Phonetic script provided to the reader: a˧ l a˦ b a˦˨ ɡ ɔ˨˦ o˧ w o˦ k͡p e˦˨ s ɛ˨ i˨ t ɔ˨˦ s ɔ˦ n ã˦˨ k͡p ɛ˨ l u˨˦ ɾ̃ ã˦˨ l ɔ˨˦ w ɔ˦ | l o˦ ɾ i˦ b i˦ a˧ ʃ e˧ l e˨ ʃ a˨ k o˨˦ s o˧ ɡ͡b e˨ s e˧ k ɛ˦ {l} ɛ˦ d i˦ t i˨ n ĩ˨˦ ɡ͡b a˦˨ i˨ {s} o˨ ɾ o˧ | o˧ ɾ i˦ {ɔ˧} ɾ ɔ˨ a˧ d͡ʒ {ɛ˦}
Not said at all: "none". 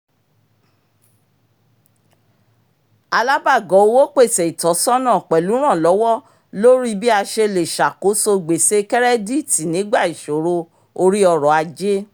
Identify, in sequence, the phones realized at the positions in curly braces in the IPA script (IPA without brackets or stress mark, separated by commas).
ɾ, ʃ, ɔ˧, e˦